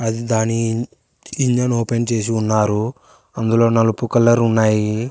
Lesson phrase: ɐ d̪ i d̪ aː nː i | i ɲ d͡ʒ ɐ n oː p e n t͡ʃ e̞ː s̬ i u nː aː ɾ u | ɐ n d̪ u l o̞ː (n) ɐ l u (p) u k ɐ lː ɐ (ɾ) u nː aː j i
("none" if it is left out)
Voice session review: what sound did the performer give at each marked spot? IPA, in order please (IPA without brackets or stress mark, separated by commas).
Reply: n, p, ɾ